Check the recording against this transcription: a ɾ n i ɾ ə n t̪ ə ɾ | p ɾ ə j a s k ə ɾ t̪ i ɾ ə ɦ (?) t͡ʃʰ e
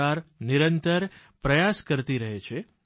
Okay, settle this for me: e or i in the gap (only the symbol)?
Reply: e